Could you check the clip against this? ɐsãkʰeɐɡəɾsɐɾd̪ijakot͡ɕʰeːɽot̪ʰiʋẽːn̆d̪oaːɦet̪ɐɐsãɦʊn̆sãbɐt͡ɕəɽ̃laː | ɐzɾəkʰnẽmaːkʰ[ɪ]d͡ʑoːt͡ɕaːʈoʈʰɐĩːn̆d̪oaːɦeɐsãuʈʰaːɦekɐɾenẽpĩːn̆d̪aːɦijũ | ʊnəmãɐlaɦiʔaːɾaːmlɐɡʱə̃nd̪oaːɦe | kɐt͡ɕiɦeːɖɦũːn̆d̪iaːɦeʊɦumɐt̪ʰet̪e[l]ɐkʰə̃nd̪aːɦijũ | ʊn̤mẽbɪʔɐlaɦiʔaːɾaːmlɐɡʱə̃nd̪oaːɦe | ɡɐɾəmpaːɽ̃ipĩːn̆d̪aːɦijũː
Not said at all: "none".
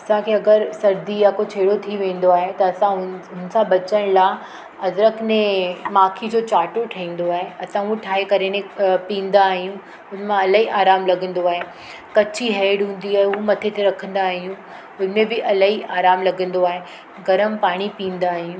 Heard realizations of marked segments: i, ɾ

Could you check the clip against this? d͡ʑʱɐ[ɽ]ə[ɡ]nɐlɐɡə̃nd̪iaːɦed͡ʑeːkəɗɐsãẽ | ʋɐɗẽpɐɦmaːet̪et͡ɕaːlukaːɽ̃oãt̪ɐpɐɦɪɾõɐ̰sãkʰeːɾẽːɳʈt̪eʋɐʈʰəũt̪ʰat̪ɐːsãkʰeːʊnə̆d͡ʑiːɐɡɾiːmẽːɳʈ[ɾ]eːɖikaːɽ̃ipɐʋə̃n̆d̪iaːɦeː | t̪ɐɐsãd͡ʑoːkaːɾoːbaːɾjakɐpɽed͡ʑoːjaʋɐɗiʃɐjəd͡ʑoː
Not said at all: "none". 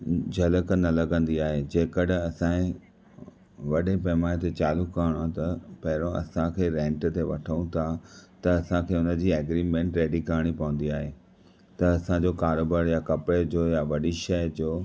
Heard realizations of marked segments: l, k, ɾ

